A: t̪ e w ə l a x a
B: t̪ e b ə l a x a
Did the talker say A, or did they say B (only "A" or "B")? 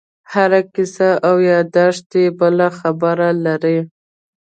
B